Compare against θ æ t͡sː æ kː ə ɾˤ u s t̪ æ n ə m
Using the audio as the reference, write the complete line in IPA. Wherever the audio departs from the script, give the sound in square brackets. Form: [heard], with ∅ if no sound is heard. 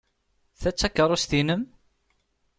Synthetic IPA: θ æ t͡sː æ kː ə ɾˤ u s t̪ [i] n ə m

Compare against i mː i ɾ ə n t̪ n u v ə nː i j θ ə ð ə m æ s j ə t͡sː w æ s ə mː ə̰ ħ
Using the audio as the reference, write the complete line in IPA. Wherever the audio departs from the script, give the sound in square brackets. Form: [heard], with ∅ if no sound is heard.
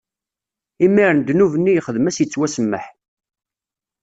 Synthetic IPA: i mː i ɾ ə n [d̪] n u v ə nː i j [χ] ə ð ə m æ s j ə t͡sː w æ s ə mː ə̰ ħ

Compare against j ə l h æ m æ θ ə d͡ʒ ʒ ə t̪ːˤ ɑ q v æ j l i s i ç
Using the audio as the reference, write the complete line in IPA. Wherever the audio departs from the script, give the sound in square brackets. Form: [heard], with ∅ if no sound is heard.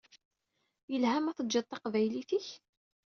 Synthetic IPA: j ə l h æ m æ θ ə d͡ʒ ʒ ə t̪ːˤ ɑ q v æ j l i [θ] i ç

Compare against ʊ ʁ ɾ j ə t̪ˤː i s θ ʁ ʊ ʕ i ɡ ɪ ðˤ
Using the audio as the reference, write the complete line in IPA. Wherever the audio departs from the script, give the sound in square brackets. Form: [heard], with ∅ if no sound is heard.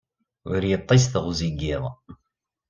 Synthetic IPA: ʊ [∅] ɾ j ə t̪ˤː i s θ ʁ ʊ [z] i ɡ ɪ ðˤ

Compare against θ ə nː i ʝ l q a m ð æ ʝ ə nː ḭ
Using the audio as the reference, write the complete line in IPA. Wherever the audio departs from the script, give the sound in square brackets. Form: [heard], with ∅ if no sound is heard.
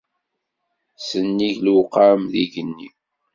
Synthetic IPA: [s] ə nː i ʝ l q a m ð [i] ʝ ə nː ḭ

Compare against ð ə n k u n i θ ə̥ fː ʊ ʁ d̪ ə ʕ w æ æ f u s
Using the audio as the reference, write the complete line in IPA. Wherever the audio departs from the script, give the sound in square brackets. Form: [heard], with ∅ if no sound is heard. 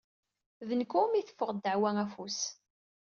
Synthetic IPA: ð ə n k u [m] i θ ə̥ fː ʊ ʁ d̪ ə ʕ w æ æ f u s

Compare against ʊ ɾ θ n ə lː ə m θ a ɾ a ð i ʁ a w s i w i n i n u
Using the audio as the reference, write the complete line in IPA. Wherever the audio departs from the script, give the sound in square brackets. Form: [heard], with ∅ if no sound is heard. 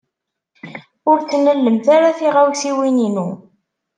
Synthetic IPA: ʊ ɾ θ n ə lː ə m θ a ɾ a [θ] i ʁ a w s i w i n i n u

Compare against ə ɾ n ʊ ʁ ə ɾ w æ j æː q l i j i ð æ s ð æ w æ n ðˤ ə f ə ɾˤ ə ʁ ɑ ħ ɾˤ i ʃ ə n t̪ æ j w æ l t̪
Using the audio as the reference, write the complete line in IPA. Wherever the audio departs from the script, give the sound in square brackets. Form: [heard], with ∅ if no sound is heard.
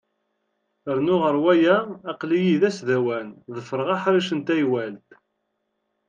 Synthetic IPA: ə ɾ n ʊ ʁ ə ɾ w æ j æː q l i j i ð æ s ð æ w æ n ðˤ ə f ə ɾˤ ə ʁ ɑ ħ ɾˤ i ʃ ə n t̪ æ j w æ l t̪

